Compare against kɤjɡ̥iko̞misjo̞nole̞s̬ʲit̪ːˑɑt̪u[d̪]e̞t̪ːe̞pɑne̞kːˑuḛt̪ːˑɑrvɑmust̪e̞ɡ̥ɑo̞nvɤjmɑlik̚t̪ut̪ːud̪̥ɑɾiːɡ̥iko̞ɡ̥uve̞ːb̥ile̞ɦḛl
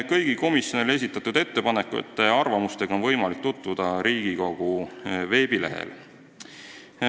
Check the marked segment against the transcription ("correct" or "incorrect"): correct